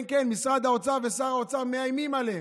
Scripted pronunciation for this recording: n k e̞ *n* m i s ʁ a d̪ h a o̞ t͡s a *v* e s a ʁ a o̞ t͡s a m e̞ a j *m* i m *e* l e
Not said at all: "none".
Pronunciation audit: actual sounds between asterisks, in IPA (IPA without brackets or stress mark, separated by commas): n, v, m, a